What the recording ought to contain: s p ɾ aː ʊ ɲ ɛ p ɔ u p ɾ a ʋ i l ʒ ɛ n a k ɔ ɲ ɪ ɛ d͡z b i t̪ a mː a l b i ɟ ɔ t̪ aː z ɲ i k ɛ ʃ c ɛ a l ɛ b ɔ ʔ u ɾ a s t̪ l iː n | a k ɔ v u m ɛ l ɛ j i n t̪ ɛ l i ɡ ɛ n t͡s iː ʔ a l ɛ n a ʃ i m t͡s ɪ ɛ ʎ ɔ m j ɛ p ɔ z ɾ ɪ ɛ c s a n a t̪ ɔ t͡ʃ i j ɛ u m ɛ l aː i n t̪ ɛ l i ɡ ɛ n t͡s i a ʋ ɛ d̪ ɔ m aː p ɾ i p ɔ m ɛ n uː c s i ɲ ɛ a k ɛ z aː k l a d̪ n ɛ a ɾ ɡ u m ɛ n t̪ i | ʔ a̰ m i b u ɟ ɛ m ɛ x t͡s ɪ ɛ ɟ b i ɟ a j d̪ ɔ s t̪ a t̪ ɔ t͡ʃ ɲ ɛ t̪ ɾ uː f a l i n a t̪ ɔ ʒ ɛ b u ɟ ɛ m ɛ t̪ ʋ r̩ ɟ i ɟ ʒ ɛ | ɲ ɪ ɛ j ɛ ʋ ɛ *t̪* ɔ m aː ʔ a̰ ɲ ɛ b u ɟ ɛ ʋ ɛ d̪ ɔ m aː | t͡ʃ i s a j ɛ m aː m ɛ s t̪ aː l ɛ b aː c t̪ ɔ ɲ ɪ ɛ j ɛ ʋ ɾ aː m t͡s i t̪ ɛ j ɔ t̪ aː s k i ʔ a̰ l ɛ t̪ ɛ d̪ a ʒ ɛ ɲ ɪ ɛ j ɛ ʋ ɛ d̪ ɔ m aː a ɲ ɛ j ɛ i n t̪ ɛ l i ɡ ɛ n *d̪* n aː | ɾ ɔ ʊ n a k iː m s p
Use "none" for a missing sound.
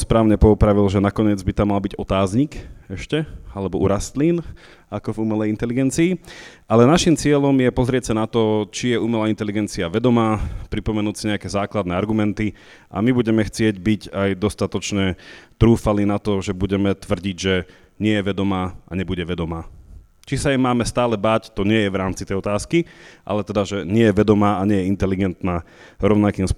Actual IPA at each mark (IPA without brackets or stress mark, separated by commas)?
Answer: d̪, t̪